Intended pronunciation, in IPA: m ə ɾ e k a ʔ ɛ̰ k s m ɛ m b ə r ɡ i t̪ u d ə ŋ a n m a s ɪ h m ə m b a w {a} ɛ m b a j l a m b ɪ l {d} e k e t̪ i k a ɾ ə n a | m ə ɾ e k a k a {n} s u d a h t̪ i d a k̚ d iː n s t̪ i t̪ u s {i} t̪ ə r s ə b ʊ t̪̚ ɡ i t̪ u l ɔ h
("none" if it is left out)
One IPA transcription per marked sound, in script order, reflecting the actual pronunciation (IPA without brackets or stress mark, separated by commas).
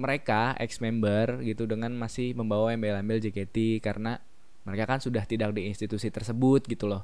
a, d͡ʒ, n, i